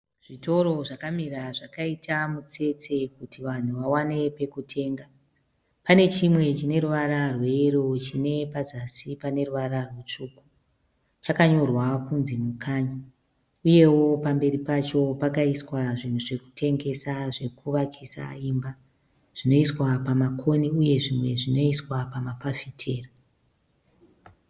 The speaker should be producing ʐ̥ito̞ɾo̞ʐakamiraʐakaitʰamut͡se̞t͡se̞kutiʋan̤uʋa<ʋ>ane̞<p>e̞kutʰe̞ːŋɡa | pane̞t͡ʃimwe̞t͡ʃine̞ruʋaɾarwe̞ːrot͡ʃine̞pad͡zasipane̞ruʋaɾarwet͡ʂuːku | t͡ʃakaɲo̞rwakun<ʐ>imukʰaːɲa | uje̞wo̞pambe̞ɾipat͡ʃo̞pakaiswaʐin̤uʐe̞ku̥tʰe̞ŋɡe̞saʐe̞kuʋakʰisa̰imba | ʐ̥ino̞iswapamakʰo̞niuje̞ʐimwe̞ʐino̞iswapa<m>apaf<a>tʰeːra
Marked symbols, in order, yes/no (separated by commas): no, yes, no, yes, no